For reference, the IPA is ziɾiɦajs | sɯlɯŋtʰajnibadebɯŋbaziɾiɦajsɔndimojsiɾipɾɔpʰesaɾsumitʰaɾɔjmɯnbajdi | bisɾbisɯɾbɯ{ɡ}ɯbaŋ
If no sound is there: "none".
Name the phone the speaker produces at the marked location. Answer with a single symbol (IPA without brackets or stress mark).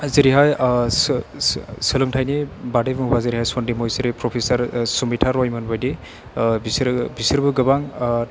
ɡ